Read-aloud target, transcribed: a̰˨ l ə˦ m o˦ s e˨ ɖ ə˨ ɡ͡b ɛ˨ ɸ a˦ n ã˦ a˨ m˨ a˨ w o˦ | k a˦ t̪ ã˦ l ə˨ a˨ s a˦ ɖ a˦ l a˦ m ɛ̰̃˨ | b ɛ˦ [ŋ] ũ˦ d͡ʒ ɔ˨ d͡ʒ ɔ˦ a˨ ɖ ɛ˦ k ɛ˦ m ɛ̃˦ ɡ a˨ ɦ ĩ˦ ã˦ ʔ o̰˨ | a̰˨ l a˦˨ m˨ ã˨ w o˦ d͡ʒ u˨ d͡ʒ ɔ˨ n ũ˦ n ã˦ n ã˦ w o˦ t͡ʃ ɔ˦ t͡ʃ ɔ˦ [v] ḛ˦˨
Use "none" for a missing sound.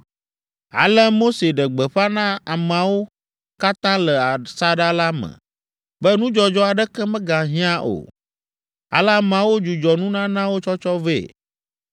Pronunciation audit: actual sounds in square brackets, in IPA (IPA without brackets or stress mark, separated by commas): n, v